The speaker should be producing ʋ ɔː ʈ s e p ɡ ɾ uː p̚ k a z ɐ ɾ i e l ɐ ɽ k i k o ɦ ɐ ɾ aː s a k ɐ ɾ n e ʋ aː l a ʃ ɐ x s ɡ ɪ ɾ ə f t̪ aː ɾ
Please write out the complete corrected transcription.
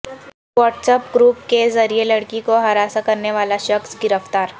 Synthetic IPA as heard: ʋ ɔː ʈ s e p ɡ ɾ uː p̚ k e z ɐ ɾ i e l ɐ ɽ k i k o ɦ ɐ ɾ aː s a k ɐ ɾ n e ʋ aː l a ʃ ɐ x s ɡ ɪ ɾ ə f t̪ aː ɾ